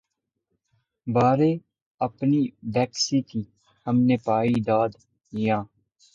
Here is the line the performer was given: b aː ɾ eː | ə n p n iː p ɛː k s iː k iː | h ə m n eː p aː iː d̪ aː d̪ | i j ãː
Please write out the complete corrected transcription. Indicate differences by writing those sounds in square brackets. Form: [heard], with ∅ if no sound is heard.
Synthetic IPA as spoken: b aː ɾ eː | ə [∅] p n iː [b] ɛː k s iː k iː | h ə m n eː p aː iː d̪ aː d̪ | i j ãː

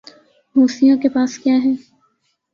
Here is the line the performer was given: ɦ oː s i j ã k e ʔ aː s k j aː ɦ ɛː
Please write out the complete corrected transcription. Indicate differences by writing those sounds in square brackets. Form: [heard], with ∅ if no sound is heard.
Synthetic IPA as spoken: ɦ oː s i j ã k e [p] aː s k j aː ɦ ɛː

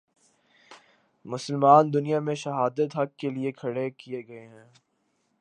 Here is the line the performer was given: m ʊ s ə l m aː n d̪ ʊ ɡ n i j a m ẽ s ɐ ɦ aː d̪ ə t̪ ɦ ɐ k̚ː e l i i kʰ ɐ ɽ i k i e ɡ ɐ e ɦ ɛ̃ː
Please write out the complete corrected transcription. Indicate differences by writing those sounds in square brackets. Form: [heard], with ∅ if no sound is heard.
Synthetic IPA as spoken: m ʊ s ə l m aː n d̪ ʊ [∅] n i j a m ẽ [ʃ] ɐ ɦ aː d̪ ə t̪ ɦ ɐ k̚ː e l i [e] kʰ ɐ ɽ [e] k i e ɡ ɐ e ɦ ɛ̃ː

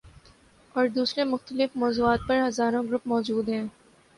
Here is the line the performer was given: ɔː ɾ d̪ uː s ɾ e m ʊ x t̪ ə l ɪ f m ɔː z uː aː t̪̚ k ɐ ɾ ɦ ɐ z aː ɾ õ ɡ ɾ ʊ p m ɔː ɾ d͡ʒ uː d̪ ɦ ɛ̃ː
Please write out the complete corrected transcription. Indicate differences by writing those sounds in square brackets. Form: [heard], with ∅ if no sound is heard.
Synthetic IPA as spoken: ɔː ɾ d̪ uː s ɾ e m ʊ x t̪ ə l ɪ f m ɔː z uː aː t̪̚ [p] ɐ ɾ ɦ ɐ z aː ɾ õ ɡ ɾ ʊ p m ɔː [∅] d͡ʒ uː d̪ ɦ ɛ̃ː

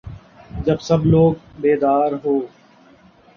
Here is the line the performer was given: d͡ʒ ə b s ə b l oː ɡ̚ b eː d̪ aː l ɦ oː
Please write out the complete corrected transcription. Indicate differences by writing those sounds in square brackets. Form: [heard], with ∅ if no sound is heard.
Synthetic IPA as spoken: d͡ʒ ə b s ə b l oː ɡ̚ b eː d̪ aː [ɾ] ɦ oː

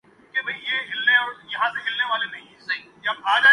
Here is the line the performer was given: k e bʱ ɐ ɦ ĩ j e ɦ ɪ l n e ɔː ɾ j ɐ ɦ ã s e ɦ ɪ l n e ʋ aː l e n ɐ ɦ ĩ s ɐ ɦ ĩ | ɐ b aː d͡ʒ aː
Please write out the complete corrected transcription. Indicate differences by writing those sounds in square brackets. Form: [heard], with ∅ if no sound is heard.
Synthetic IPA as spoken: k e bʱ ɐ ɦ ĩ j e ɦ ɪ l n e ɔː ɾ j ɐ ɦ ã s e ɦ ɪ l n e ʋ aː l e n ɐ ɦ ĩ s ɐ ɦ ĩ | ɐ b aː d͡ʒ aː

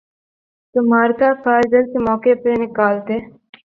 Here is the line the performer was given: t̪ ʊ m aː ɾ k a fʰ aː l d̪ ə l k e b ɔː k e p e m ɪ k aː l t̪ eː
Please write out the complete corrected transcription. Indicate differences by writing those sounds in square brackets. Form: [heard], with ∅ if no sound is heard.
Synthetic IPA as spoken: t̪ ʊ m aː ɾ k a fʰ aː [ɾ] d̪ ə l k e [m] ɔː k e p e [n] ɪ k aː l t̪ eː

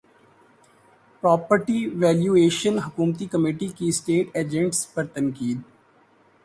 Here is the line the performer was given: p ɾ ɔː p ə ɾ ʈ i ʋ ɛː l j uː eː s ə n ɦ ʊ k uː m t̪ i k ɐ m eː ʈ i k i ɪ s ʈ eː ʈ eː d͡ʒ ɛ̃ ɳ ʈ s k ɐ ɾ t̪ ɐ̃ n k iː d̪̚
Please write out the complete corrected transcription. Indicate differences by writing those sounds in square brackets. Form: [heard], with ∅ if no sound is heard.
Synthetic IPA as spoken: p ɾ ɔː p ə ɾ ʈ i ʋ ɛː l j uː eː [ʃ] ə n ɦ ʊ k uː m t̪ i k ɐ m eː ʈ i k i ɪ s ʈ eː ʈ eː d͡ʒ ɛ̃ ɳ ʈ s [p] ɐ ɾ t̪ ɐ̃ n k iː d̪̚

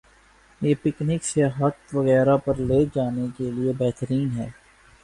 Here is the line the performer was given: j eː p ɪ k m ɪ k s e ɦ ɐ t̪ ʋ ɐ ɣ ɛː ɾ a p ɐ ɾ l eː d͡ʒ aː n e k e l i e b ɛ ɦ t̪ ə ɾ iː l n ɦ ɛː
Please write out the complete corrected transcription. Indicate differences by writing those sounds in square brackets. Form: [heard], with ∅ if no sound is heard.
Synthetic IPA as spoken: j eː p ɪ k [n] ɪ k s e ɦ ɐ t̪ ʋ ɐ ɣ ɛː ɾ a p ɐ ɾ l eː d͡ʒ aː n e k e l i e b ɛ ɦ t̪ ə ɾ iː [∅] n ɦ ɛː

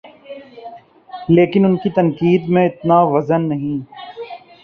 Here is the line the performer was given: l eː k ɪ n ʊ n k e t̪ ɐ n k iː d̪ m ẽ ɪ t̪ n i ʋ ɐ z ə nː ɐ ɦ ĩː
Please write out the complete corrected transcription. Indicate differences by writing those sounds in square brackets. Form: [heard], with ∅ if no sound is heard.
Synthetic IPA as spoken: l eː k ɪ n ʊ n k [i] t̪ ɐ n k iː d̪ m ẽ ɪ t̪ n [a] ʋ ɐ z ə nː ɐ ɦ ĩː

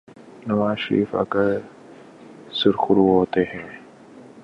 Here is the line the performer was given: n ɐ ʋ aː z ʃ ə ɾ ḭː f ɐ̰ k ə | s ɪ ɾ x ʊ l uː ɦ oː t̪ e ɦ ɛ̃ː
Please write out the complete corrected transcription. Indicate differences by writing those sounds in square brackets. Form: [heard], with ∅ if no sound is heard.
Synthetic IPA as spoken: n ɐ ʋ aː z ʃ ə ɾ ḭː f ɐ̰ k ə | s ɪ ɾ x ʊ [ɾ] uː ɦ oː t̪ e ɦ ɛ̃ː

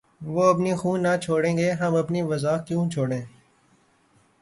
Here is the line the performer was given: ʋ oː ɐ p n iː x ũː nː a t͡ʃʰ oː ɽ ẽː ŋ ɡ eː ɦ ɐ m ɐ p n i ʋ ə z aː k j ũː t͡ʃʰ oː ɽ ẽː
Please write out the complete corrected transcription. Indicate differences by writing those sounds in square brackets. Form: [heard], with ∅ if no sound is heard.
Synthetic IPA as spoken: ʋ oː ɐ p n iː x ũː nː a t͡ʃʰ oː ɽ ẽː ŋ ɡ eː ɦ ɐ m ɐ p n i ʋ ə z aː k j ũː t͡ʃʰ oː ɽ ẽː

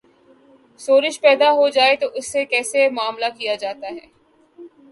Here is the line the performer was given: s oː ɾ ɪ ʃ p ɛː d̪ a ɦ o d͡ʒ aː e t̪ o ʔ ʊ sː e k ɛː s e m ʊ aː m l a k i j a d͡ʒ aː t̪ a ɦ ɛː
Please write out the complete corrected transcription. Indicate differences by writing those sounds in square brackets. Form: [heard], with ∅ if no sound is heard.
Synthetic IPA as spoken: s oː ɾ ɪ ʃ p ɛː d̪ a ɦ o d͡ʒ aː e t̪ o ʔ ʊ sː e k ɛː s e m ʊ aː m l a k i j a d͡ʒ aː t̪ a ɦ ɛː

